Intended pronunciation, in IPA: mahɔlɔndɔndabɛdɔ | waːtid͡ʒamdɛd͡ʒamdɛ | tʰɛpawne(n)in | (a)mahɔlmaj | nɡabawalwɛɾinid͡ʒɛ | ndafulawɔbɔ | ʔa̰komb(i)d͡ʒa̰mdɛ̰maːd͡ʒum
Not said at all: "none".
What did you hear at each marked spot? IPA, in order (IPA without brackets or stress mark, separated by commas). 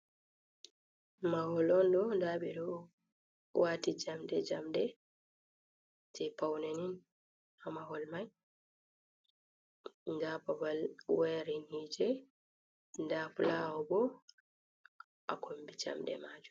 n, a, i